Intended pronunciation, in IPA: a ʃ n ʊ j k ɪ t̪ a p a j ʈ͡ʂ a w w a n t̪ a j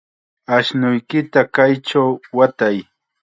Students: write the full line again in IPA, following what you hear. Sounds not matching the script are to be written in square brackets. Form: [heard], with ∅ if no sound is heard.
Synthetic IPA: a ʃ n ʊ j k ɪ t̪ a [k] a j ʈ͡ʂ a w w a [∅] t̪ a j